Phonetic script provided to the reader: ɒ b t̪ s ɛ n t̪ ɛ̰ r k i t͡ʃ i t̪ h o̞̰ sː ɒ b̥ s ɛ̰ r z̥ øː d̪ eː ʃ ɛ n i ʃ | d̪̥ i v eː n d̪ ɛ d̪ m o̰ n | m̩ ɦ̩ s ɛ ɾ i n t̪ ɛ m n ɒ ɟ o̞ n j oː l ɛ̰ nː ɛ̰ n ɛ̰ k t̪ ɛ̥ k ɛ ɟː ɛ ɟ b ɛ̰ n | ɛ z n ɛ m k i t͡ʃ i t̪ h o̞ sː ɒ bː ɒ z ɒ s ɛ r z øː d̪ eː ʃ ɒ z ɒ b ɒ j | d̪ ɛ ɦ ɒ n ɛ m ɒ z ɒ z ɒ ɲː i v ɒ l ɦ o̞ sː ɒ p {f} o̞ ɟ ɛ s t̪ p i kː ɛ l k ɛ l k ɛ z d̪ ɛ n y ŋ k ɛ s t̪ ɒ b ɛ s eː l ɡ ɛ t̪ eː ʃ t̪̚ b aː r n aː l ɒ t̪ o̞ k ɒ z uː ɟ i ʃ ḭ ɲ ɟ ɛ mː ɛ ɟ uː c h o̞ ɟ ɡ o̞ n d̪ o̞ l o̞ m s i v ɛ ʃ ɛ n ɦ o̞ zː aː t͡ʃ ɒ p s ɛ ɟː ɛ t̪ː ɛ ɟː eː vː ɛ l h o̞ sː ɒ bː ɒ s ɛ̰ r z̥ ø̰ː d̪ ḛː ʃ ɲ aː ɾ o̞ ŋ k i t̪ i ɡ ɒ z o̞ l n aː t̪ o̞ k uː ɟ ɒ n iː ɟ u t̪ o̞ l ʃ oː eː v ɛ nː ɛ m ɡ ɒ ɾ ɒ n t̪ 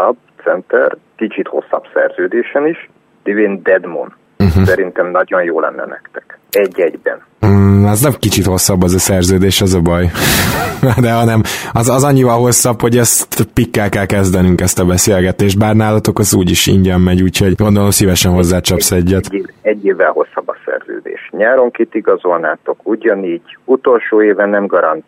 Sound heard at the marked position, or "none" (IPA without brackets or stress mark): h